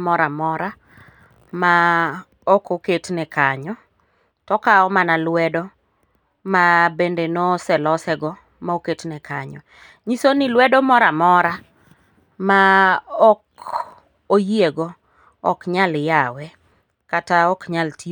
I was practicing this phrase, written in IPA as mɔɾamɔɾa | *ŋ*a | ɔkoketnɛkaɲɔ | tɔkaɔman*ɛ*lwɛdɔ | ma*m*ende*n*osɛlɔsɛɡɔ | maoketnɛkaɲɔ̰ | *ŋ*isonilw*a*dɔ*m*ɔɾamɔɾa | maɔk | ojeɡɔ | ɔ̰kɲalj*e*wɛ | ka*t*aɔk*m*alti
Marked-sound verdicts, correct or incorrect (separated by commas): incorrect, incorrect, incorrect, correct, incorrect, incorrect, correct, incorrect, correct, incorrect